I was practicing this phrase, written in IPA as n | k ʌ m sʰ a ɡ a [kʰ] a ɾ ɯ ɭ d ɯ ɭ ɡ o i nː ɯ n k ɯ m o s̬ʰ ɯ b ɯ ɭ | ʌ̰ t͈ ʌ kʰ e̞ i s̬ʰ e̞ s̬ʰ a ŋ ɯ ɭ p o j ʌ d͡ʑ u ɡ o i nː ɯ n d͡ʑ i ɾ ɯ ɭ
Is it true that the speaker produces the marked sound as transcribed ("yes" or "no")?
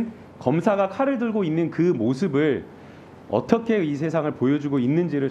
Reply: yes